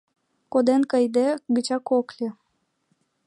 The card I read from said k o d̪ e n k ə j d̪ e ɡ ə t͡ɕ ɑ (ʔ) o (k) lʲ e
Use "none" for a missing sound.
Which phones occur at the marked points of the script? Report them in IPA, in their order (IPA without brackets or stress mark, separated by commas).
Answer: k, k